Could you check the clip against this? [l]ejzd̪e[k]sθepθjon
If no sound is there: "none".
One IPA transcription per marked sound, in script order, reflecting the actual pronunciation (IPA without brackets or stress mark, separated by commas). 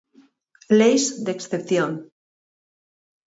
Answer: l, k